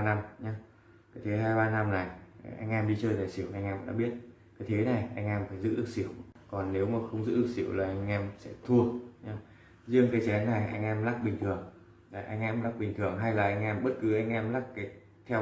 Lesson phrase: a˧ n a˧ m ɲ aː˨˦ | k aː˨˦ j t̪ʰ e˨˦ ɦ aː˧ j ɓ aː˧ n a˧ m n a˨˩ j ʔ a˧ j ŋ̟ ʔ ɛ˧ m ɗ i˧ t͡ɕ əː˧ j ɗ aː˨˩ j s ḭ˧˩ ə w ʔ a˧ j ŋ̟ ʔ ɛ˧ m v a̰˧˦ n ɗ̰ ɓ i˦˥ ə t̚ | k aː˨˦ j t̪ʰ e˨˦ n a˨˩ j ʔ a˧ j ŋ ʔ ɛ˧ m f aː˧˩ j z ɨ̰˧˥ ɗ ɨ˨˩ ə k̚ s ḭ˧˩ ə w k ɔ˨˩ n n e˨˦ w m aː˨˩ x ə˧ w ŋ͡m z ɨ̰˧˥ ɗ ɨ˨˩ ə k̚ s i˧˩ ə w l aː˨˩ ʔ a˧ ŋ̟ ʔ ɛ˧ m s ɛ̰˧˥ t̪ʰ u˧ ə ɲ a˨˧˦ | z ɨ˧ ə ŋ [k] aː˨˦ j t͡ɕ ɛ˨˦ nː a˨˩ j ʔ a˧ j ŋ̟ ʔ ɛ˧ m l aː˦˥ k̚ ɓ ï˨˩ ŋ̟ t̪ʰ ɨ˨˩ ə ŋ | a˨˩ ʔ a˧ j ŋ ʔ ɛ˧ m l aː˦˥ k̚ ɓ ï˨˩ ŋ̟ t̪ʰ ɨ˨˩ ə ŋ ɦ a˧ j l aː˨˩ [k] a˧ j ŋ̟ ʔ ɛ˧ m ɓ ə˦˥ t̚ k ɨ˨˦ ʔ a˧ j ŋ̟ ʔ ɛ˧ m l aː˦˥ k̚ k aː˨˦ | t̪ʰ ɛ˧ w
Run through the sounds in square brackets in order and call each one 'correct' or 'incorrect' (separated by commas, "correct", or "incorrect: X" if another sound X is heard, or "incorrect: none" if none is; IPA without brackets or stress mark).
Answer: correct, incorrect: ʔ